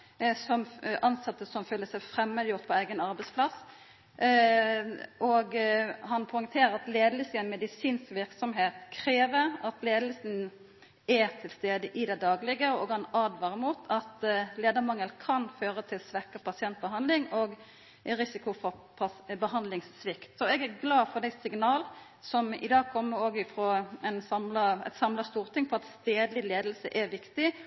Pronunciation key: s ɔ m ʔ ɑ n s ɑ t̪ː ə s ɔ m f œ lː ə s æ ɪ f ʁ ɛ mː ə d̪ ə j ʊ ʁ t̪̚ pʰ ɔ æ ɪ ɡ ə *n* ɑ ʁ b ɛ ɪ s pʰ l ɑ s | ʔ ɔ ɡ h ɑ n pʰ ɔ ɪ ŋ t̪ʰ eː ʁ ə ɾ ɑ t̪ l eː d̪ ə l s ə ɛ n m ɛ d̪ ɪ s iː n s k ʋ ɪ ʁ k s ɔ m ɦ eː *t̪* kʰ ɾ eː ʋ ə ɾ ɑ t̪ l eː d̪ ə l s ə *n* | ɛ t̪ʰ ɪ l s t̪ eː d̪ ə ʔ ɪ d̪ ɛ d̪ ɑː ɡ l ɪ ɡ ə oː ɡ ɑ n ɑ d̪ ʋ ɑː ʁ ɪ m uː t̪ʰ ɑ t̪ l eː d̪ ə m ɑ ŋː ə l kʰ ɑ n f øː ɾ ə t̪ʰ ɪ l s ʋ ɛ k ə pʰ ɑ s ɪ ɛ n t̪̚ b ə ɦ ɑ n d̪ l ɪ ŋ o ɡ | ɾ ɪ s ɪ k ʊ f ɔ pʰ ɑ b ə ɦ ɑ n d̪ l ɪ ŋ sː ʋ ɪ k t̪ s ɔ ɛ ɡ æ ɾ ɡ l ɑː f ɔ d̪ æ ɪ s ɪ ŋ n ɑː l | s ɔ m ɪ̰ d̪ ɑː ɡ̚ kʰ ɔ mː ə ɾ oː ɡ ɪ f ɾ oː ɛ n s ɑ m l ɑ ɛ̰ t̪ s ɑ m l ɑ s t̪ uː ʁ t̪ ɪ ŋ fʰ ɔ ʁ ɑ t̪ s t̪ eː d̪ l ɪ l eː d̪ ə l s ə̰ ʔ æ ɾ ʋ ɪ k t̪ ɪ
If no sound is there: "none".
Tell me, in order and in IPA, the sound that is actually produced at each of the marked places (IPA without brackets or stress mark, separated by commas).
n, t̪, n